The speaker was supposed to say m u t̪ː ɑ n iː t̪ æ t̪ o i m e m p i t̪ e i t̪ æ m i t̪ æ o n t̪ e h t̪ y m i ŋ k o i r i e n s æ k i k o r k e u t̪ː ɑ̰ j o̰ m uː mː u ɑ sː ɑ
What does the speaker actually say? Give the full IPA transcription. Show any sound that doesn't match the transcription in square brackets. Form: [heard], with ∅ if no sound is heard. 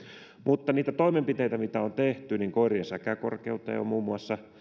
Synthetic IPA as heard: m u t̪ː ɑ n iː t̪ æ t̪ o i m e m p i t̪ e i t̪ æ m i t̪ æ o n t̪ e h t̪ y [n] i ŋ k o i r i e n s æ k [æ] k o r k e u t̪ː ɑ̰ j o̰ m uː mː u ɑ sː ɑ